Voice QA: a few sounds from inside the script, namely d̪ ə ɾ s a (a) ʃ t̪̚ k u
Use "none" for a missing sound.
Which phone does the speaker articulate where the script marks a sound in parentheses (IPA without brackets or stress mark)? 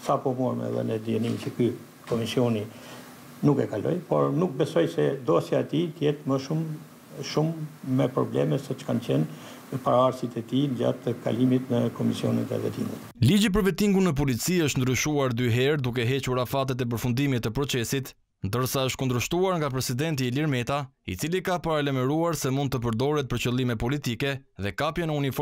ə